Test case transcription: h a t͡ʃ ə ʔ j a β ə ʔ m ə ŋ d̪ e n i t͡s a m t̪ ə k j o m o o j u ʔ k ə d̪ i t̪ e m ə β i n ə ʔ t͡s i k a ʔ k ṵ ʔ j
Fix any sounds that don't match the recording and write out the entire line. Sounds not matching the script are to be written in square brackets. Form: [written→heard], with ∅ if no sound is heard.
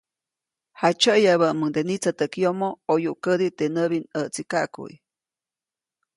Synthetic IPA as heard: h a t͡ʃ ə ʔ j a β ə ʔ m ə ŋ d̪ e n i t͡s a [m→∅] t̪ ə k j o m o o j u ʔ k ə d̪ i t̪ e [m→n] ə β i n ə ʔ t͡s i k a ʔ k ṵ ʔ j